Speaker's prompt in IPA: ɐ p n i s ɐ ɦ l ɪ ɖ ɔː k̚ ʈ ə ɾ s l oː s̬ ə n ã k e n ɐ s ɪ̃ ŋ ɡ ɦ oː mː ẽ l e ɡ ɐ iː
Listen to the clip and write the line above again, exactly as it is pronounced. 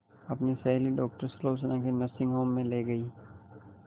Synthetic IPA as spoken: ɐ p n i s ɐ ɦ l i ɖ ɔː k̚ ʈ ə ɾ s l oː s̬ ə n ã k e n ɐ s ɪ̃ ŋ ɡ ɦ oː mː ẽ l e ɡ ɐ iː